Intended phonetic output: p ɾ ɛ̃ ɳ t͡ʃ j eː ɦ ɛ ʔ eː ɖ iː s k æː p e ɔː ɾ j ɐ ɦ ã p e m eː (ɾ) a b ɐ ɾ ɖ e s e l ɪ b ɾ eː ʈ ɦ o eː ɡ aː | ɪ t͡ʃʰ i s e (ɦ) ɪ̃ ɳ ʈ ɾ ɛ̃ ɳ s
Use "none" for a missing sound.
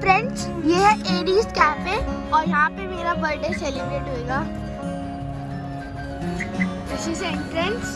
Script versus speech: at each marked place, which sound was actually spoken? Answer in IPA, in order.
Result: ɾ, none

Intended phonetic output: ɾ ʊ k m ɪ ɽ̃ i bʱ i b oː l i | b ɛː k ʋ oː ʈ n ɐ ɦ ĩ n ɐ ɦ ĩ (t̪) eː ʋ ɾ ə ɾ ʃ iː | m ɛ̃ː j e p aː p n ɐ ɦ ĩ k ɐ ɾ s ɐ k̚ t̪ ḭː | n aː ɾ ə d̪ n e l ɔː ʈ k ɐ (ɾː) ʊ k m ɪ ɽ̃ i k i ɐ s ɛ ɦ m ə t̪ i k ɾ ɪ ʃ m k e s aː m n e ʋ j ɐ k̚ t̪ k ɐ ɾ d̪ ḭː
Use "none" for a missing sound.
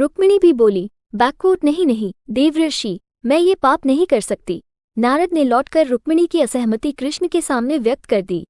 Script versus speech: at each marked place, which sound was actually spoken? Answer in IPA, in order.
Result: d̪, ɾː

